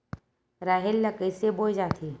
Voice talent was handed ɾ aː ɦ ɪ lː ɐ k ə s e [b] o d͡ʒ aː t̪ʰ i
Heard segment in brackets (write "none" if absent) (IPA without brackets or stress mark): b